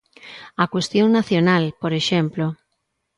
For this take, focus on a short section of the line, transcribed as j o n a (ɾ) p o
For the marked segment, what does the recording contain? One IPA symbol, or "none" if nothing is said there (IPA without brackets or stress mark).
l